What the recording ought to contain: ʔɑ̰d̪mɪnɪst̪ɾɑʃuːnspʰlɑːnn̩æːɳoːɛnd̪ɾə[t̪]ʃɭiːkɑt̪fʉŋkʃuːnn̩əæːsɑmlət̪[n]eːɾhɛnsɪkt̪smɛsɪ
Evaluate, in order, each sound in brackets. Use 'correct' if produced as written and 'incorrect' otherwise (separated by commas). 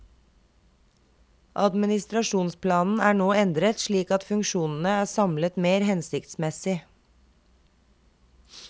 correct, incorrect